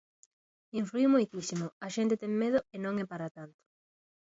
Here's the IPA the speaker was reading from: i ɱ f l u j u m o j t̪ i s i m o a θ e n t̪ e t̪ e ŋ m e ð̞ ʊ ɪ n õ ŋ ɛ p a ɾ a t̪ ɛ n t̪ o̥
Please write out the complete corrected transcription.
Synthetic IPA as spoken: i ɱ f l u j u m o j t̪ i s i m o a ʃ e n t̪ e t̪ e ŋ m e ð̞ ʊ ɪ n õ ŋ ɛ p a ɾ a t̪ a n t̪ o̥

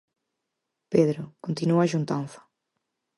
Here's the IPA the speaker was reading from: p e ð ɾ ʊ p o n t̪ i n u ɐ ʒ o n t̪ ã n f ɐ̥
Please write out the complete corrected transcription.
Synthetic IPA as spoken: p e ð ɾ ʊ k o n t̪ i n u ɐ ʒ u n t̪ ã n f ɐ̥

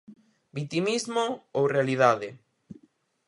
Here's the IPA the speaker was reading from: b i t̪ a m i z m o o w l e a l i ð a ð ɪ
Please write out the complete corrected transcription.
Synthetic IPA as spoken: b i t̪ i m i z m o o w r e a l i ð a ð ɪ

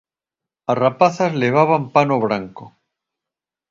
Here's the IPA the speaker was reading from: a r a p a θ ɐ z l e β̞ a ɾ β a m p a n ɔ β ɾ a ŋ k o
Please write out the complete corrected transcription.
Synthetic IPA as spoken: a r a p a θ a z l e β̞ a β a m p a n o β ɾ a ŋ k o

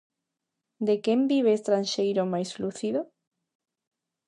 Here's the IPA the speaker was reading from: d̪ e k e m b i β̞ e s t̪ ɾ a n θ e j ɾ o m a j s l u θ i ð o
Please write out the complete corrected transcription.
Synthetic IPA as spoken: d̪ e k e m b i β̞ e s t̪ ɾ a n ʃ e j ɾ o m a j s l u θ i ð o

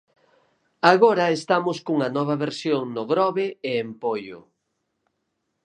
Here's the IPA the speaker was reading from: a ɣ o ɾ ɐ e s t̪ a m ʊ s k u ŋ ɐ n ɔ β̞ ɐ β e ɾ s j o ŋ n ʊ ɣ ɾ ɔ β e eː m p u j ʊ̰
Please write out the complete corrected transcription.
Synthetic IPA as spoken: a ɣ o ɾ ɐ e s t̪ a m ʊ s k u ŋ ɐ n ɔ β̞ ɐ β e ɾ s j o ŋ n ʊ ɣ ɾ ɔ β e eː m p o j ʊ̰

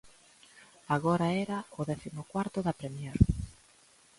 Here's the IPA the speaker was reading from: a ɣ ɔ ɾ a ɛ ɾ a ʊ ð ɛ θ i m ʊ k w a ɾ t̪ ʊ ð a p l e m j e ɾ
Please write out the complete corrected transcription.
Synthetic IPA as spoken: a ɣ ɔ ɾ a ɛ ɾ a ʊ ð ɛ θ i m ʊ k w a ɾ t̪ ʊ ð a p ɾ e m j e ɾ

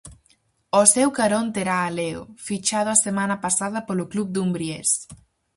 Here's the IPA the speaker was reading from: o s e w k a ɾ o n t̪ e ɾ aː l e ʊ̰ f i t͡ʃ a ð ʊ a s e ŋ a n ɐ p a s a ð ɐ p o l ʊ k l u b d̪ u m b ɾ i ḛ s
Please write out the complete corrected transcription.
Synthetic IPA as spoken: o s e w k a ɾ o n t̪ e ɾ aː l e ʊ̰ f i t͡ʃ a ð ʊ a s e m a n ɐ p a s a ð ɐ p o l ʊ k l u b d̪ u m b ɾ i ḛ s

